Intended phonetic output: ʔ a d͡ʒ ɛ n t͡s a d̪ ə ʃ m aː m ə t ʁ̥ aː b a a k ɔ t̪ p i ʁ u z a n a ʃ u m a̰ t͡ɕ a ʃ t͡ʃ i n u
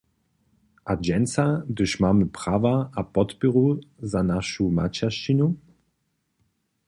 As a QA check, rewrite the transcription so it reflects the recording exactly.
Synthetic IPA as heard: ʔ a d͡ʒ ɛ n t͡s a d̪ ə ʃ m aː m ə p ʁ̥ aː v a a p ɔ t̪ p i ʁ u z a n a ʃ u m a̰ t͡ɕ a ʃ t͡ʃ i n u